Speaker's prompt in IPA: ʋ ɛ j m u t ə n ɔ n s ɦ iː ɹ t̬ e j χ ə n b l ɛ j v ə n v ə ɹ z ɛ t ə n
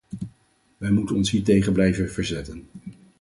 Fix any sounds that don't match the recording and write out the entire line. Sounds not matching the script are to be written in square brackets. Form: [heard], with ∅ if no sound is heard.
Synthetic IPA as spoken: ʋ ɛ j m u t ə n ɔ n s ɦ iː ɹ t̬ e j χ ə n b l ɛ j v ə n v ə ɹ z ɛ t ə n